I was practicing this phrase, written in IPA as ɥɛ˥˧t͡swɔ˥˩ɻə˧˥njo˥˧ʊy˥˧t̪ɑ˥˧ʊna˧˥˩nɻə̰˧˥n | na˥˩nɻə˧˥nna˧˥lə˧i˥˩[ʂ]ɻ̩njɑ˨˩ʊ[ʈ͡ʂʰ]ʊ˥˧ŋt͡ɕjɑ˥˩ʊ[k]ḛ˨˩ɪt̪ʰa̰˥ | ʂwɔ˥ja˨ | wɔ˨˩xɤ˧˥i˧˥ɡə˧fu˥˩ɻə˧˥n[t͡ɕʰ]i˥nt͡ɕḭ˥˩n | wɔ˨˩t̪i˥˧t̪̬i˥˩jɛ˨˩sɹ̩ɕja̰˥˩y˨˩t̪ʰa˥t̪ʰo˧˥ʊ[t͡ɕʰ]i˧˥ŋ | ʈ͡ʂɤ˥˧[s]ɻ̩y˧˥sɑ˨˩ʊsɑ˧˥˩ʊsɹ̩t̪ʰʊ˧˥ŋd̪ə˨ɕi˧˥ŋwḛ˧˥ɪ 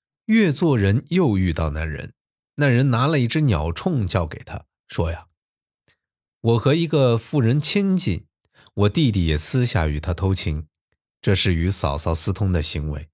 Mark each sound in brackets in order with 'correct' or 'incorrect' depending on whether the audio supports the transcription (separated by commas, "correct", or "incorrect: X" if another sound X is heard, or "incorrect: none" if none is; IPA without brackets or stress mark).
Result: incorrect: ʈ͡ʂ, correct, correct, correct, correct, incorrect: ʂ